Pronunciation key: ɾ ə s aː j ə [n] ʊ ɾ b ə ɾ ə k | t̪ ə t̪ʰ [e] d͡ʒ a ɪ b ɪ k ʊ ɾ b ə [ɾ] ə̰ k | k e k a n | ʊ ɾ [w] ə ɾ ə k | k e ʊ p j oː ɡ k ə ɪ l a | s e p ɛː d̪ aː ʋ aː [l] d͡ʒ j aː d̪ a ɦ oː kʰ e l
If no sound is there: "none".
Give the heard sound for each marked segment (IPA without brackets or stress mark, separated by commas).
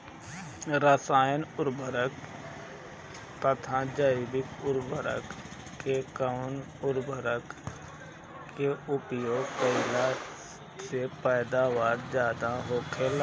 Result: n, a, ɾ, b, ɾ